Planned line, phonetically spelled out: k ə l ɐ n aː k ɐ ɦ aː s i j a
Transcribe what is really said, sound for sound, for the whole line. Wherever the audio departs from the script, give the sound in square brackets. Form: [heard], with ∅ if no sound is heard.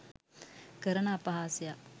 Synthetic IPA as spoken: k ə [ɾ] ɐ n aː [p] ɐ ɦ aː s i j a